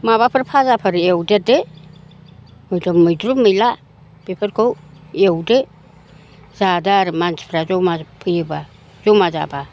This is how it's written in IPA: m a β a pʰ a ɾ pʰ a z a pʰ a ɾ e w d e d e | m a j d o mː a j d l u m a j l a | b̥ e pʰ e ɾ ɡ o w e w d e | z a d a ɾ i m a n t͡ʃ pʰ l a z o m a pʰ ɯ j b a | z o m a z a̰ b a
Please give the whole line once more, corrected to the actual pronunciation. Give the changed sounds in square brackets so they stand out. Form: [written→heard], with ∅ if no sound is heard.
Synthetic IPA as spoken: m a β a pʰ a ɾ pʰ a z a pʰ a ɾ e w d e d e | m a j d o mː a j d [l→ɾ] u m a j l a | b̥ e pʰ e ɾ [ɡ→k] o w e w d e | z a d a ɾ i m a n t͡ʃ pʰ [l→ɾ] a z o m a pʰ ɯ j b a | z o m a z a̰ b a